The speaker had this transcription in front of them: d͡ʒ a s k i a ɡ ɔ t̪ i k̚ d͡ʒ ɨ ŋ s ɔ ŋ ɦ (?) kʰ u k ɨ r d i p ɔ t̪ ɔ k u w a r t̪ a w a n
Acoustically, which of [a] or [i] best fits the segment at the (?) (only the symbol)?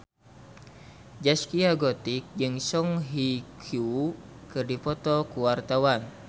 i